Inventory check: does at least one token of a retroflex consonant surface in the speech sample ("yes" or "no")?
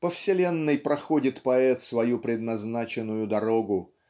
no